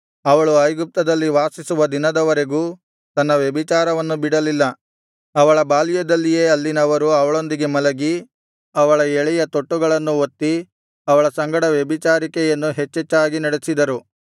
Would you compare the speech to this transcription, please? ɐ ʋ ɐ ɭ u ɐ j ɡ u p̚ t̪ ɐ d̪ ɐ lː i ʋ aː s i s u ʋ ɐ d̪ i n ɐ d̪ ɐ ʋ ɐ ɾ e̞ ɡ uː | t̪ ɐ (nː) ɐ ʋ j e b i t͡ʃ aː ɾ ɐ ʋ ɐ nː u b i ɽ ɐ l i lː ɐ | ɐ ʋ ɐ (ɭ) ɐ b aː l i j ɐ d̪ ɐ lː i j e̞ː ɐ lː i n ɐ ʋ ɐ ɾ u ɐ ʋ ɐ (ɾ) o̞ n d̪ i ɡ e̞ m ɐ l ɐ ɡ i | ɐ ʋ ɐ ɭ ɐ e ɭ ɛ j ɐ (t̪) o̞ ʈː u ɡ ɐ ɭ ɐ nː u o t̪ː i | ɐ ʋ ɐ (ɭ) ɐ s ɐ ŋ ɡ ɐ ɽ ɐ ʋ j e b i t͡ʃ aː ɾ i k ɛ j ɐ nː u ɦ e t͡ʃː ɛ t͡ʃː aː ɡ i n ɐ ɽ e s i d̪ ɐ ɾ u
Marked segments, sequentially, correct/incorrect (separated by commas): correct, correct, incorrect, correct, correct